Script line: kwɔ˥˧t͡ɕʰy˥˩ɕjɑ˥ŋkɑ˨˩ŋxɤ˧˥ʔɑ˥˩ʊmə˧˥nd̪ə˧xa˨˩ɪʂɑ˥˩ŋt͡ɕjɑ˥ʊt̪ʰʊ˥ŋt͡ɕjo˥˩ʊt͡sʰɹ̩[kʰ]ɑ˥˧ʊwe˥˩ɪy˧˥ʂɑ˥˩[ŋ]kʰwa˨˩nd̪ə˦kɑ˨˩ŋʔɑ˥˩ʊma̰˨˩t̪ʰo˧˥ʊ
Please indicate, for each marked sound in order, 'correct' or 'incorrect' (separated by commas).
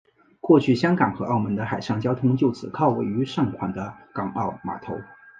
correct, correct